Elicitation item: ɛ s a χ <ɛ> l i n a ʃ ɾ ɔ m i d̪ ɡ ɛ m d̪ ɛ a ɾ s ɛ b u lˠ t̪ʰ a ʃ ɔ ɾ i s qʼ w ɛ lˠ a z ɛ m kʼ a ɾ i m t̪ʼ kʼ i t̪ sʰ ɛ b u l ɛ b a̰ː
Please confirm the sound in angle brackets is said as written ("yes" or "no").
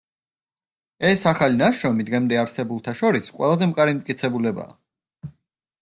no